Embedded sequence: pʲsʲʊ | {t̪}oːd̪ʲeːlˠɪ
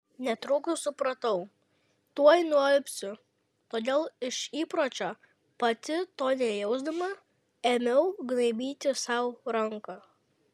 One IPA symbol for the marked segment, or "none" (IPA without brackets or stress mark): t̪